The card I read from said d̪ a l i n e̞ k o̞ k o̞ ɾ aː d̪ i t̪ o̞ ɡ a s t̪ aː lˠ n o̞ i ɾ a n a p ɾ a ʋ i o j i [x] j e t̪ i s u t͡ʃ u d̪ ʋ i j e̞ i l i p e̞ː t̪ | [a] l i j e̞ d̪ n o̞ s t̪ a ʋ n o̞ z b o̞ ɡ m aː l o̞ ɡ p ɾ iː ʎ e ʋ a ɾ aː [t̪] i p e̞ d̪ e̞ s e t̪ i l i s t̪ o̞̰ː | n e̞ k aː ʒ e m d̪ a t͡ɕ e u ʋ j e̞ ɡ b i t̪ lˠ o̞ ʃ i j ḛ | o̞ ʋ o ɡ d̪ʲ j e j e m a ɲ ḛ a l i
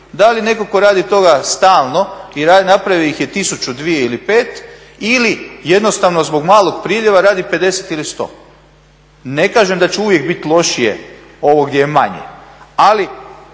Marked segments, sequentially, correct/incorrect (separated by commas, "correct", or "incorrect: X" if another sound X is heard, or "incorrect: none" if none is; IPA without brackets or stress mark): correct, incorrect: i, incorrect: d̪